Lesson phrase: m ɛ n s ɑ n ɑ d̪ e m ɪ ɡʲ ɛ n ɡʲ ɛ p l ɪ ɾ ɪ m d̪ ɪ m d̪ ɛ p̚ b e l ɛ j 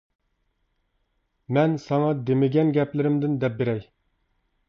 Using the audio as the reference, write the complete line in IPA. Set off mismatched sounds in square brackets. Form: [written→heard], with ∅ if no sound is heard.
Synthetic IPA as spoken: m ɛ n s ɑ [n→ŋ] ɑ d̪ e m ɪ ɡʲ ɛ n ɡʲ ɛ p l ɪ ɾ ɪ m d̪ ɪ [m→n] d̪ ɛ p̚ b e [l→ɾ] ɛ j

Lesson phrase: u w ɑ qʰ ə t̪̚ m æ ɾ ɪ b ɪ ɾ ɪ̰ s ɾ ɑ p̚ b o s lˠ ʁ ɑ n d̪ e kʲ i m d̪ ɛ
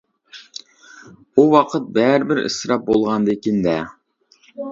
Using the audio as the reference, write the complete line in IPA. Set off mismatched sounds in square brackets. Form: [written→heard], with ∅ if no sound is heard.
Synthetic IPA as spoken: u w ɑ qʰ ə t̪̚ [m→b] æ ɾ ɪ b ɪ ɾ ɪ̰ s ɾ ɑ p̚ b o [s→∅] lˠ ʁ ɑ n d̪ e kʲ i [m→n] d̪ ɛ

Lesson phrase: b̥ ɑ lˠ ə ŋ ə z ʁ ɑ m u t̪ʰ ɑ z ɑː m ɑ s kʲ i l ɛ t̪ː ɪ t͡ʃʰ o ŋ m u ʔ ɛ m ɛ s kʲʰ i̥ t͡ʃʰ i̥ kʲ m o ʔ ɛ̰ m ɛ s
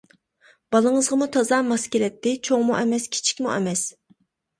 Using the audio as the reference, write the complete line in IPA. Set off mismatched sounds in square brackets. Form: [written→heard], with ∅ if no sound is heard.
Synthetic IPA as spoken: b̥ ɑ lˠ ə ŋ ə z ʁ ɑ m u t̪ʰ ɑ z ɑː m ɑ s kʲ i l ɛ t̪ː ɪ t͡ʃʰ o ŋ m u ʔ ɛ m ɛ s kʲʰ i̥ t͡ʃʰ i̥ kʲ m [o→u] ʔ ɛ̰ m ɛ s

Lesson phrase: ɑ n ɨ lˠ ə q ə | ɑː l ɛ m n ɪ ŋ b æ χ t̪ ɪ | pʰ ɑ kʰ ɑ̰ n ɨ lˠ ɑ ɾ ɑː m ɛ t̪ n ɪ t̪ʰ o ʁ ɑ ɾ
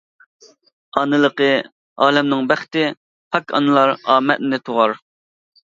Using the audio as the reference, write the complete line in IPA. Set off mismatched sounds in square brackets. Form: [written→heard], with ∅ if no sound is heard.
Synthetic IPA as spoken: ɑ n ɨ lˠ ə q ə | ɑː l ɛ m n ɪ ŋ b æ χ t̪ ɪ | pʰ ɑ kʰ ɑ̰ n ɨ lˠ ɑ ɾ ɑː m ɛ t̪ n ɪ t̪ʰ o ʁ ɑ ɾ

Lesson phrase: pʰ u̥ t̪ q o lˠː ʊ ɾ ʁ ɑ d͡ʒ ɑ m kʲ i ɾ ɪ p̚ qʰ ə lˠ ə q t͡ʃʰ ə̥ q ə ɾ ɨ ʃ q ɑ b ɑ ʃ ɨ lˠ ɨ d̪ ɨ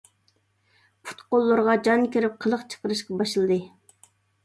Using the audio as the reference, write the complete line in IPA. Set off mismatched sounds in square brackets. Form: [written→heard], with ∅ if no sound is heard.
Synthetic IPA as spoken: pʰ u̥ t̪ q o lˠː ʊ ɾ ʁ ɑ d͡ʒ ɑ [m→n] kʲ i ɾ ɪ p̚ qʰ ə lˠ ə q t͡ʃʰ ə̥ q ə ɾ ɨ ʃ q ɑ b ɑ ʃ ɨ lˠ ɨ d̪ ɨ

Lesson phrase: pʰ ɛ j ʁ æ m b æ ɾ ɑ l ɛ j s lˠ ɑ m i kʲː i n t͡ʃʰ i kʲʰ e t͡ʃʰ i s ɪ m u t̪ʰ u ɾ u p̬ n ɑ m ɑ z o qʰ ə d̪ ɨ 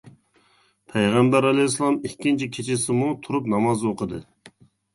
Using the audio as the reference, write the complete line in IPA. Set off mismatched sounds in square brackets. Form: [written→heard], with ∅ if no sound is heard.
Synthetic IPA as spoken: pʰ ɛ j ʁ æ m b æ ɾ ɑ l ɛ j s lˠ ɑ m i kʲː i n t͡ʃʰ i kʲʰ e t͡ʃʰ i s ɪ m u t̪ʰ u ɾ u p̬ n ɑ m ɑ z o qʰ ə d̪ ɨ

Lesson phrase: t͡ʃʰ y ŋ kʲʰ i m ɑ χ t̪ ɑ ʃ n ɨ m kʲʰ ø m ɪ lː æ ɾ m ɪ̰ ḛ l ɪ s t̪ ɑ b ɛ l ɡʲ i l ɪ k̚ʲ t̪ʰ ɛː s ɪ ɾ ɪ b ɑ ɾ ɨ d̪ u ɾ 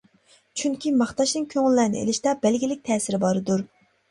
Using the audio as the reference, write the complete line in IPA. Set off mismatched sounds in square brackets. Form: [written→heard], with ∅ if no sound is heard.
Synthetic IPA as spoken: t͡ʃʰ y ŋ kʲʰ i m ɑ χ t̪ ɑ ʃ n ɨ [m→ŋ] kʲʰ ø [m→ŋ] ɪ lː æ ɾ [m→n] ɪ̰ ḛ l ɪ [s→ʃ] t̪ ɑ b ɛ l ɡʲ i l ɪ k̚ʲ t̪ʰ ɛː s ɪ ɾ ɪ b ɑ ɾ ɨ d̪ u ɾ

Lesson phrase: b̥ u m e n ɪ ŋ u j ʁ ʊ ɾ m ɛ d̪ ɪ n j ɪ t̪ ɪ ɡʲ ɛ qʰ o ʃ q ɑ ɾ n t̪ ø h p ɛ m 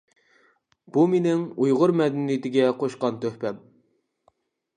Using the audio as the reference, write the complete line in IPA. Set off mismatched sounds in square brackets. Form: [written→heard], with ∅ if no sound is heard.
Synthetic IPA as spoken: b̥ u m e n ɪ ŋ u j ʁ ʊ ɾ m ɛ d̪ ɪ n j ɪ t̪ ɪ ɡʲ ɛ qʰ o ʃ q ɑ [ɾ→∅] n t̪ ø h p ɛ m

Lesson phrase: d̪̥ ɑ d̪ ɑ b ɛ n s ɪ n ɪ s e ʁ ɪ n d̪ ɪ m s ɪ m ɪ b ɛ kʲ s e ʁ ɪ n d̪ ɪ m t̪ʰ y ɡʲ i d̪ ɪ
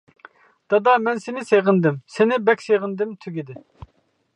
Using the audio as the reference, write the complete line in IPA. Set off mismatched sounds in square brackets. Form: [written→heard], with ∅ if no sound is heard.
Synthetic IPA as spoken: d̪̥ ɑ d̪ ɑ [b→m] ɛ n s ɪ n ɪ s e ʁ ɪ n d̪ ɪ m s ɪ [m→n] ɪ b ɛ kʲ s e ʁ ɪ n d̪ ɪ m t̪ʰ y ɡʲ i d̪ ɪ

